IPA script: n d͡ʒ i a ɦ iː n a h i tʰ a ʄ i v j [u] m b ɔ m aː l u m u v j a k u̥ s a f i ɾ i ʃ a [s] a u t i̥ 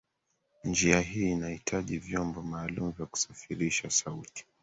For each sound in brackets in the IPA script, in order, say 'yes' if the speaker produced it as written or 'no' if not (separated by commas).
no, yes